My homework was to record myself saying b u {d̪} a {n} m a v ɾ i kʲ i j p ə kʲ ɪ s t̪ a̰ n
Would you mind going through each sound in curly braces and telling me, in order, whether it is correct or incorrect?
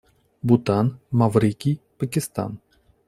incorrect: t̪, correct

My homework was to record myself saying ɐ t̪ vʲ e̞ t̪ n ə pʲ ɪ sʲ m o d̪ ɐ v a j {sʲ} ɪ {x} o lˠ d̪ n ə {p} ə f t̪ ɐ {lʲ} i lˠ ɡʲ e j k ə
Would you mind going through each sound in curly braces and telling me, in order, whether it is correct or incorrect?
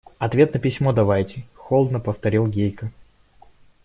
incorrect: tʲ, correct, correct, incorrect: ɾʲ

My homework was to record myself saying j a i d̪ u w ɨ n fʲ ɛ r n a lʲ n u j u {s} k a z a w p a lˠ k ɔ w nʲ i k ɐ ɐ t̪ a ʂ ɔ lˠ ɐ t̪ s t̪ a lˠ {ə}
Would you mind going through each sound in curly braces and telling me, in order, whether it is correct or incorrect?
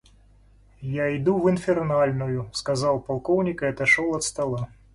correct, incorrect: a

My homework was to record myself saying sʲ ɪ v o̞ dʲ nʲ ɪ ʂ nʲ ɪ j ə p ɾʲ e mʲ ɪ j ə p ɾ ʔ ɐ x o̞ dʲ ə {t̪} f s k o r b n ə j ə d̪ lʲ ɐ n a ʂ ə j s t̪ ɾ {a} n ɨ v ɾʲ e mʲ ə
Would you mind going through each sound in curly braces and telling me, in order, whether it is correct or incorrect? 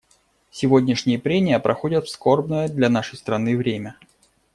correct, incorrect: ɐ

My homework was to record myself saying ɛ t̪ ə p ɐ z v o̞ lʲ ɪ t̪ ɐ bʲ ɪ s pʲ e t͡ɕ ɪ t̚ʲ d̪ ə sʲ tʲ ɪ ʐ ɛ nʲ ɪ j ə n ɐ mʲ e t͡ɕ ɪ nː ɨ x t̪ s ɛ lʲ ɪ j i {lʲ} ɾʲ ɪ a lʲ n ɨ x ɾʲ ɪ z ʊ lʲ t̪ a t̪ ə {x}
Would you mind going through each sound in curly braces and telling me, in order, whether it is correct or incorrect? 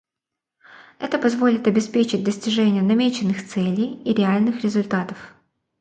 incorrect: none, incorrect: f

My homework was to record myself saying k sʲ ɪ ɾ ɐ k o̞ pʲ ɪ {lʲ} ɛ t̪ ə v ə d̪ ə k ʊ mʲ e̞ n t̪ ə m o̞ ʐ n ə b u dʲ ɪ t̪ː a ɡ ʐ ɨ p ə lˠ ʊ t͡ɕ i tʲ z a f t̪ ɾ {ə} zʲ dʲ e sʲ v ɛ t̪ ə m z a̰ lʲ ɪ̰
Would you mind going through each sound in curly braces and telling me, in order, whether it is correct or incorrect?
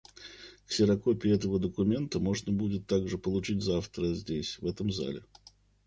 incorrect: none, correct

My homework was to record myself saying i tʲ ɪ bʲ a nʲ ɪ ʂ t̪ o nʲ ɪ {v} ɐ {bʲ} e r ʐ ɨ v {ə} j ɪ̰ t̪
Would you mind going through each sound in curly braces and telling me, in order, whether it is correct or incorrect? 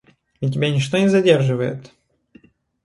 incorrect: z, incorrect: dʲ, correct

